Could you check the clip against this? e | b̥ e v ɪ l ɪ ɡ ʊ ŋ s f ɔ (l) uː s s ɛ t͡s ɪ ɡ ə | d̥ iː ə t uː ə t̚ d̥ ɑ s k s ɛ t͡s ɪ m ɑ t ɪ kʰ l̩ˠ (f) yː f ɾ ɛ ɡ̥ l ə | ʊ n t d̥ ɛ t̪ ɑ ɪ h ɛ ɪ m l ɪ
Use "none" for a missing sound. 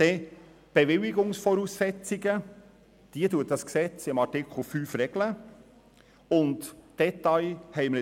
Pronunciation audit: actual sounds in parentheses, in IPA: ɾ, f

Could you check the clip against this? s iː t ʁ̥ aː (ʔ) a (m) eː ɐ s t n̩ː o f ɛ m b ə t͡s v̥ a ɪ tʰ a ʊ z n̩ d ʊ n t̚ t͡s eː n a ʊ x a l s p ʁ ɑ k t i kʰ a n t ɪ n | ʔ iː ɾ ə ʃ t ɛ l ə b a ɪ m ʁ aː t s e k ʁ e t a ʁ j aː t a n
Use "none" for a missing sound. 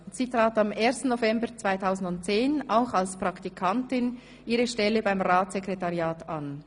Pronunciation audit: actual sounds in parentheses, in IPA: t, m

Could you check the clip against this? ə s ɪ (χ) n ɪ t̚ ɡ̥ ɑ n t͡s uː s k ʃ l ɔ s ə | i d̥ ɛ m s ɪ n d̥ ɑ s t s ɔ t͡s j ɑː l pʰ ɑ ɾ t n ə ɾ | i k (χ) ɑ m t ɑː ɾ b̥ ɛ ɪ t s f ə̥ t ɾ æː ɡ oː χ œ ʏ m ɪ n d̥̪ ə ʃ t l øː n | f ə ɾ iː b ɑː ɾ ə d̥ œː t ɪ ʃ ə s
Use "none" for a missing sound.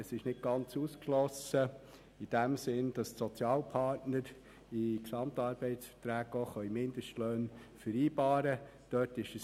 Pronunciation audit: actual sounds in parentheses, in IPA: ʃ, s

